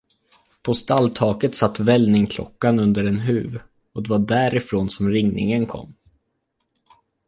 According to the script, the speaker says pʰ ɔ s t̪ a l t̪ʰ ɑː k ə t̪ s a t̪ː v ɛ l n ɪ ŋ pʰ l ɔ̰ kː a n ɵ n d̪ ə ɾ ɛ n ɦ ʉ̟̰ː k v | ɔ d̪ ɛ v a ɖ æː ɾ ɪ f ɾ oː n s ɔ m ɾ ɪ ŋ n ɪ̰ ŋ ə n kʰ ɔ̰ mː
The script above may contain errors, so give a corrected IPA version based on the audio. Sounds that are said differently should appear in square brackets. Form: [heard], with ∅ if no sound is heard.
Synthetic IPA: pʰ ɔ s t̪ a l t̪ʰ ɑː k ə t̪ s a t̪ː v ɛ l n ɪ ŋ [kʰ] l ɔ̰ kː a n ɵ n d̪ ə ɾ ɛ n ɦ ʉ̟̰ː [∅] v | ɔ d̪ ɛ v a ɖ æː ɾ ɪ f ɾ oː n s ɔ m ɾ ɪ ŋ n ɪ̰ ŋ ə n kʰ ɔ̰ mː